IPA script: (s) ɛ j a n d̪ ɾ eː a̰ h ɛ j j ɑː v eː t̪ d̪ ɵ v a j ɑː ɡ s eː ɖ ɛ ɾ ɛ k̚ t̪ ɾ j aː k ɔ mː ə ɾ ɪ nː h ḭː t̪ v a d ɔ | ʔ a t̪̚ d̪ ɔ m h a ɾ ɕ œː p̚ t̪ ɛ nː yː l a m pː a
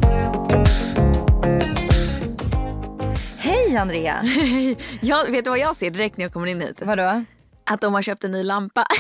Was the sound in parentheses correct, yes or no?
no